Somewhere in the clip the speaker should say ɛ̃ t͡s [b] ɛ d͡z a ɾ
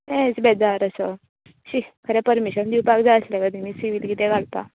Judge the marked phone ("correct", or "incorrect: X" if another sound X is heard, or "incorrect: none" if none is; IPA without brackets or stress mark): correct